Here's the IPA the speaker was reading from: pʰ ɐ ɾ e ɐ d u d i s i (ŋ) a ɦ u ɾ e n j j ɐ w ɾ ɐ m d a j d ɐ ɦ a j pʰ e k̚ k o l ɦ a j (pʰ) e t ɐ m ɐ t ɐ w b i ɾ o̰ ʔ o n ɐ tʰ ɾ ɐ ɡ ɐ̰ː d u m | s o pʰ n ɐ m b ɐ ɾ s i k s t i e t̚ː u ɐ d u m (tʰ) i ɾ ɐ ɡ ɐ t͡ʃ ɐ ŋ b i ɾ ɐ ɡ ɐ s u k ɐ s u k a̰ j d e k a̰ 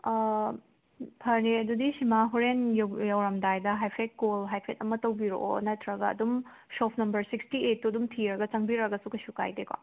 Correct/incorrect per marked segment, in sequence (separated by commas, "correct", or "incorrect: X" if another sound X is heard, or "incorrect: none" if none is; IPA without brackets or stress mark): incorrect: m, correct, correct